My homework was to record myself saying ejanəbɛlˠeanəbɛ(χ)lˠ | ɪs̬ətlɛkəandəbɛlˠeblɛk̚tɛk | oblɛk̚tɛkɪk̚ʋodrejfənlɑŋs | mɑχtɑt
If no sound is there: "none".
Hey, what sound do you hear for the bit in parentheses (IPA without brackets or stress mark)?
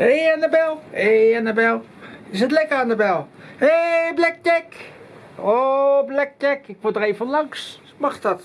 none